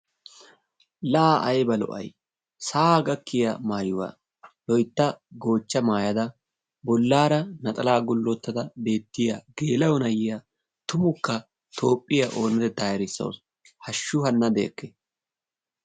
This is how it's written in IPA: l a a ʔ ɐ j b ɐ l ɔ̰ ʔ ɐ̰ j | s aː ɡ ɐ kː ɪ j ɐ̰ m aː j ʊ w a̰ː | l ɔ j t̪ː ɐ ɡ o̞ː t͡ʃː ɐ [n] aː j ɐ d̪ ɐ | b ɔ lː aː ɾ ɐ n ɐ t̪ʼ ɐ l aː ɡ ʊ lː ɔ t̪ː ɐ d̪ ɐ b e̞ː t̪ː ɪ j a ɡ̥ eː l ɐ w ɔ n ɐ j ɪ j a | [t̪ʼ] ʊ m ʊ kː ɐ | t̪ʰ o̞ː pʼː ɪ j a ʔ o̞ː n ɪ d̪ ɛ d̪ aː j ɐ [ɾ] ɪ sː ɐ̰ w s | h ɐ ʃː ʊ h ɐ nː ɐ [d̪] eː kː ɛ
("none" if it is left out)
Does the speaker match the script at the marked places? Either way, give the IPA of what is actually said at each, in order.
m, t̪, ɾ, d̪

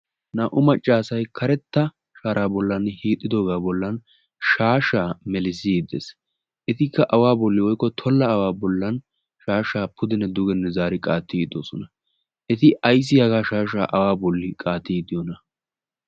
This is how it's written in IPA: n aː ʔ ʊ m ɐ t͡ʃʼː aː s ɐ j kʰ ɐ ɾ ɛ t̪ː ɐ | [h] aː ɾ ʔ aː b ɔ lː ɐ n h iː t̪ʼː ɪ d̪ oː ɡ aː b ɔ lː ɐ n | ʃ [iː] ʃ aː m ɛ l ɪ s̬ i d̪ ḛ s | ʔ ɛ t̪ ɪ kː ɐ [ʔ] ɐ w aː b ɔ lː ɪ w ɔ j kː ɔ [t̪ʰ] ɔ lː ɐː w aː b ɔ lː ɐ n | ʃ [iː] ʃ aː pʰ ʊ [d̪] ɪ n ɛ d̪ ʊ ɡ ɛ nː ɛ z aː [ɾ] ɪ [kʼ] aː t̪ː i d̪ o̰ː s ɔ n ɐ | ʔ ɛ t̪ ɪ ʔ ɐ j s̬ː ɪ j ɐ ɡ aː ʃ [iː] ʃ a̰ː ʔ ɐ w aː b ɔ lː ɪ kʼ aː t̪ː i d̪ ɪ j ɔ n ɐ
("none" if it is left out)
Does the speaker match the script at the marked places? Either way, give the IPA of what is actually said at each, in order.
ʃ, aː, ʔ, t̪ʰ, aː, d̪, ɾ, kʼ, aː

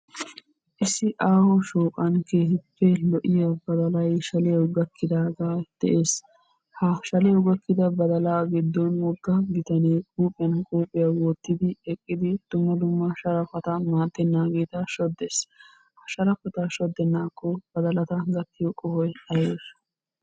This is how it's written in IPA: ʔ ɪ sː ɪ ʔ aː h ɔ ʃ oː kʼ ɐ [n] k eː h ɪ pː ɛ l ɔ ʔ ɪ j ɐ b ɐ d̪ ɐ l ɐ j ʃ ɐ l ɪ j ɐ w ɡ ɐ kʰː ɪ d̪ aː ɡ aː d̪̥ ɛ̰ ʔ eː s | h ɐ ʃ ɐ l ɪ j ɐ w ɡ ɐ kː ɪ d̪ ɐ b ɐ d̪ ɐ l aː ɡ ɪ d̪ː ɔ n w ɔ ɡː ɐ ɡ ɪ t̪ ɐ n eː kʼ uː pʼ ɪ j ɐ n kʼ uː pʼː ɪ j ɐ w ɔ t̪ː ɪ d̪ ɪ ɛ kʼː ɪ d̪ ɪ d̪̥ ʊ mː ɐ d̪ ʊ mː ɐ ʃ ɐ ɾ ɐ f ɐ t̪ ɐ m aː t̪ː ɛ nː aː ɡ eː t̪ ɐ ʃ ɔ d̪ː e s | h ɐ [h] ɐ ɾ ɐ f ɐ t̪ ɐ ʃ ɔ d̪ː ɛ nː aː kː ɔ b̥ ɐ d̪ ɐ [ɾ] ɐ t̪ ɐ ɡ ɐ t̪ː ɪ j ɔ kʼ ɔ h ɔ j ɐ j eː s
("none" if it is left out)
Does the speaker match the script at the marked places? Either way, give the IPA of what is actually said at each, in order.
n, ʃ, l

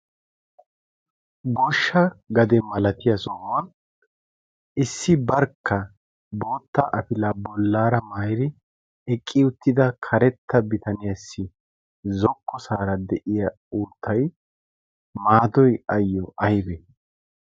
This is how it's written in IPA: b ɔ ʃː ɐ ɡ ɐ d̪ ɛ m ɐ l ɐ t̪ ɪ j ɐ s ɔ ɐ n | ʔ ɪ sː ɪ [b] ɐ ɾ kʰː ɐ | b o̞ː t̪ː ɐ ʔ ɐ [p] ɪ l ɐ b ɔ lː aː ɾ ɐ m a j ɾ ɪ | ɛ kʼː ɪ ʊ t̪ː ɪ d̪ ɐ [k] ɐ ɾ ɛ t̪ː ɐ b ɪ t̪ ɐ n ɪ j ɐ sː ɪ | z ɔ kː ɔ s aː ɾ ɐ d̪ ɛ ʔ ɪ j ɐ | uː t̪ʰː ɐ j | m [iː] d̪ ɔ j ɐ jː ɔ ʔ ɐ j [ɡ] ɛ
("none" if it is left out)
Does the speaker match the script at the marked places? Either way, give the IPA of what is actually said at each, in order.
b, p, kʰ, aː, b

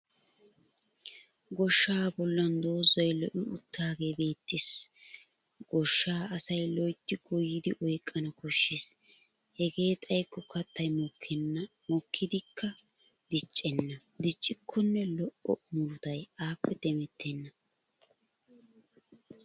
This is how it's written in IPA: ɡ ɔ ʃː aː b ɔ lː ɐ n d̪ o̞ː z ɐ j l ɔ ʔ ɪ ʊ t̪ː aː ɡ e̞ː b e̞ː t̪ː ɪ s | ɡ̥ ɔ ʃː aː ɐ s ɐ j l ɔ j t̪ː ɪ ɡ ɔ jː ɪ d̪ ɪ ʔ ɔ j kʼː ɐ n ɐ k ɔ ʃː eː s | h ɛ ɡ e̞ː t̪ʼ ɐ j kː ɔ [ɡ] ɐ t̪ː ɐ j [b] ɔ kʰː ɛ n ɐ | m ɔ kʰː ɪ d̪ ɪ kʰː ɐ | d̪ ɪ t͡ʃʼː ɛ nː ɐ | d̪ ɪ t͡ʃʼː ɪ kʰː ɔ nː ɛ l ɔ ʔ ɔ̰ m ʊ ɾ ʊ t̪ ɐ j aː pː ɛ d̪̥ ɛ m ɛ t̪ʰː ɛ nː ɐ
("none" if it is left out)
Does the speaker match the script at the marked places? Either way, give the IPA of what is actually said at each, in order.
k, m

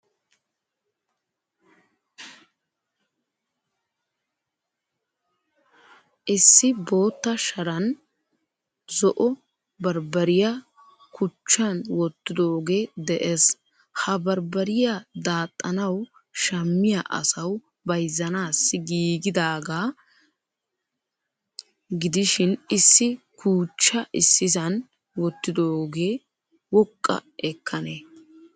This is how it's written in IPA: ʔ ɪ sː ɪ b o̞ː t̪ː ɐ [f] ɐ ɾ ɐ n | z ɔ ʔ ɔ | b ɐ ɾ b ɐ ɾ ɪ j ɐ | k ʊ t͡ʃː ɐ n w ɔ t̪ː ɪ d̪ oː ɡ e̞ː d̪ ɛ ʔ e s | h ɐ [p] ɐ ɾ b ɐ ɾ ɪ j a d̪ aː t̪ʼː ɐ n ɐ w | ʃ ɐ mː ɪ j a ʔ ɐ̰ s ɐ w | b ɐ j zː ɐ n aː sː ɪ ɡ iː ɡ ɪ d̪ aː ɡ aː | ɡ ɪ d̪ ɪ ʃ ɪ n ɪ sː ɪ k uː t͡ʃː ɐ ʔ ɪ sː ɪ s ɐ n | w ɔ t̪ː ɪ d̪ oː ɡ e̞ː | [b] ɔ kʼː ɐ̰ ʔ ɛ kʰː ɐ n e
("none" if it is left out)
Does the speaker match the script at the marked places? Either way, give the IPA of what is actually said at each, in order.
ʃ, b, w

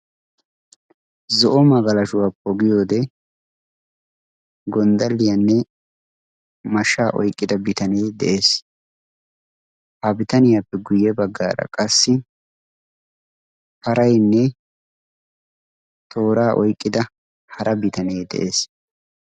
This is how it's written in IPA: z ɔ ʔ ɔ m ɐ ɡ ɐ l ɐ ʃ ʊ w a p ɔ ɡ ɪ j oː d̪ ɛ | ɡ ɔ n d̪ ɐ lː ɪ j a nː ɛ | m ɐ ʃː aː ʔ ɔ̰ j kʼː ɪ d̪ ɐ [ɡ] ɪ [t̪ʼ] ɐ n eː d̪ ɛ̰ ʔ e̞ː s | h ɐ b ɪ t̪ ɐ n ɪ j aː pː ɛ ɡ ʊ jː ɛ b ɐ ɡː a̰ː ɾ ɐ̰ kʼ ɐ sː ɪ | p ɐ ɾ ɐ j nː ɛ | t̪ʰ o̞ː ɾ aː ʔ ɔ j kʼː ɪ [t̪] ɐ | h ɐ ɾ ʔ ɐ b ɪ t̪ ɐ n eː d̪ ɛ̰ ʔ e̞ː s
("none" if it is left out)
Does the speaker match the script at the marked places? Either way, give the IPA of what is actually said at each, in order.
b, t̪, d̪

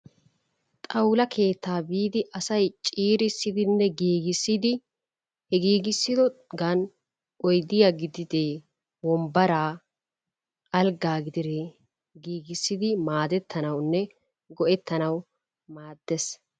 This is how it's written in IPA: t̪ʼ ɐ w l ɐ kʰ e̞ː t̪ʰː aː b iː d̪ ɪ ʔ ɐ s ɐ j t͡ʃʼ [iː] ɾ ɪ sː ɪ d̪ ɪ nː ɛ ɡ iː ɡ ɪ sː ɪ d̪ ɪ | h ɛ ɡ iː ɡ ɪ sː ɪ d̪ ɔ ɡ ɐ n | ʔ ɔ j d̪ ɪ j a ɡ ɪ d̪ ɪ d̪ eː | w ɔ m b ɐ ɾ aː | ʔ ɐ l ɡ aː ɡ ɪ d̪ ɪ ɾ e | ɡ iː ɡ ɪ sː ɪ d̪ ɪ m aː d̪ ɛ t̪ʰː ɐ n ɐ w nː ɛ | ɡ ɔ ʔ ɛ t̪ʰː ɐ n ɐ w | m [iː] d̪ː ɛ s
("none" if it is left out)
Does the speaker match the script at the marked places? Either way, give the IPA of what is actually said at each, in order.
iː, aː

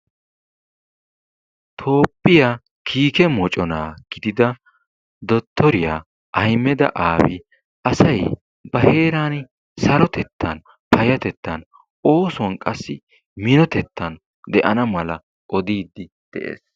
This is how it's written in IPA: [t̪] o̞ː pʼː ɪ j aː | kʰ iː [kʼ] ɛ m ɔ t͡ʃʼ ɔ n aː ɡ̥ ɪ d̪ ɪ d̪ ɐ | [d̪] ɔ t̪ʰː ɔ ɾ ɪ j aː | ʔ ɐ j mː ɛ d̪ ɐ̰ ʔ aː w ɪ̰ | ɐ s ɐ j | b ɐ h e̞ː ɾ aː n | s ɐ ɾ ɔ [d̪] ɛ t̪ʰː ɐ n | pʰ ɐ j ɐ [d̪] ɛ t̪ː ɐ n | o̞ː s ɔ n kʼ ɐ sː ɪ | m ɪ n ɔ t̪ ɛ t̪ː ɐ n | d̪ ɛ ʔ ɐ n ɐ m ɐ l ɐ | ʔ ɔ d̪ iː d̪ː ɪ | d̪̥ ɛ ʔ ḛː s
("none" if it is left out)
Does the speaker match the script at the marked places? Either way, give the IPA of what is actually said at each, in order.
t̪ʰ, k, d̪, t̪, t̪

